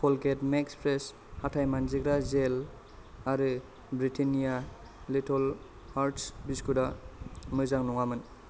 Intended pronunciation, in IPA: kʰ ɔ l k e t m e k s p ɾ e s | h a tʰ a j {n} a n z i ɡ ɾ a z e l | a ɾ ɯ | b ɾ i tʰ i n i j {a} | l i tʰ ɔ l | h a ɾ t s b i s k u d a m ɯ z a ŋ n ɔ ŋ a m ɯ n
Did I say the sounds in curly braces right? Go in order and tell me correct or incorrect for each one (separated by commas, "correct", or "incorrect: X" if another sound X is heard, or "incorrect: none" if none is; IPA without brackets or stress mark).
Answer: incorrect: m, correct